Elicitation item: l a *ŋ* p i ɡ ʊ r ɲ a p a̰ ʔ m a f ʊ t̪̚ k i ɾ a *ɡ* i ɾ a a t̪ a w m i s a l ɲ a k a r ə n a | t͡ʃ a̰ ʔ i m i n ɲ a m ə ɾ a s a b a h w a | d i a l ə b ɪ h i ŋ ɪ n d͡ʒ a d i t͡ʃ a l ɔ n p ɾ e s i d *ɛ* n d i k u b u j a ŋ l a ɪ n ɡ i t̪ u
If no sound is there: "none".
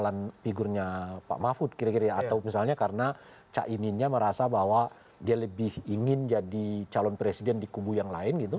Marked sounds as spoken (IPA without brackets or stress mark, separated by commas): n, k, ɛ